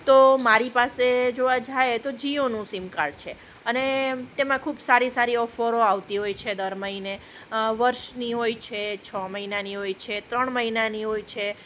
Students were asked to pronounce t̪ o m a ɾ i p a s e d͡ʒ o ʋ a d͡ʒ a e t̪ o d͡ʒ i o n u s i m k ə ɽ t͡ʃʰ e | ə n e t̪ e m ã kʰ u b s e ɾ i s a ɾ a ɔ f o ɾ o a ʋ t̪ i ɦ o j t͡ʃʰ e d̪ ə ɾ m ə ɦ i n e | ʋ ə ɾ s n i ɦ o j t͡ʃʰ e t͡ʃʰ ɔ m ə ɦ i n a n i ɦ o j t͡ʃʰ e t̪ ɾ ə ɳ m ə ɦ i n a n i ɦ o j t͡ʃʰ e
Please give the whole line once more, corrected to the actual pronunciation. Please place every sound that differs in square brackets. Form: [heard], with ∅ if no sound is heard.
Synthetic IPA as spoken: t̪ o m a ɾ i p a s e d͡ʒ o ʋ a d͡ʒ a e t̪ o d͡ʒ i o n [ũ] s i m k [a] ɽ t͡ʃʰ e | ə n e t̪ e m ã kʰ u b s [a] ɾ i s a ɾ [i] ɔ f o ɾ o a ʋ t̪ i ɦ o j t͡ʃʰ e d̪ ə ɾ m ə ɦ i n e | ʋ ə ɾ [ʃ] n i ɦ o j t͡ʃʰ e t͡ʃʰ ɔ m ə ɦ i n a n i ɦ o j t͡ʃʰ e t̪ ɾ ə ɳ m ə ɦ i n a n i ɦ o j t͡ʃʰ e